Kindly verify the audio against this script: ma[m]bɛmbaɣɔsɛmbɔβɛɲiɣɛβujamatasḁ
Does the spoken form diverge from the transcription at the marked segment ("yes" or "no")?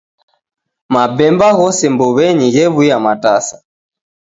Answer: yes